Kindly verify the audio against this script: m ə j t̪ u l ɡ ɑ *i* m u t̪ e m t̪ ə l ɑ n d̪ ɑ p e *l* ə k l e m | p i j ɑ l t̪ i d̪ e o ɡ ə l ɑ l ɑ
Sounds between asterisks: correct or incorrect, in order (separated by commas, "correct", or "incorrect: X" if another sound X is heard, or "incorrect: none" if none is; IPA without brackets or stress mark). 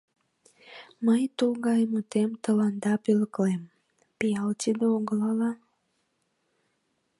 incorrect: j, correct